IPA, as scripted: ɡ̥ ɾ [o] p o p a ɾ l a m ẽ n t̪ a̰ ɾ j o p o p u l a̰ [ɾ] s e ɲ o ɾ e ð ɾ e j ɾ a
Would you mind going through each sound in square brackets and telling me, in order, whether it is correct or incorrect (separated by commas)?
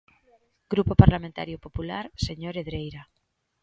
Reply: incorrect, correct